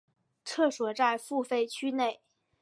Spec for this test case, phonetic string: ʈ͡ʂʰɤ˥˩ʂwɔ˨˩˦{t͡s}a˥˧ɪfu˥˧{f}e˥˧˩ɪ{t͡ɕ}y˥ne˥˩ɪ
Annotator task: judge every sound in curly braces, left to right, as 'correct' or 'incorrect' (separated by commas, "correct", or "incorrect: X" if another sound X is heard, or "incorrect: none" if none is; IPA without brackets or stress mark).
correct, correct, incorrect: t͡ɕʰ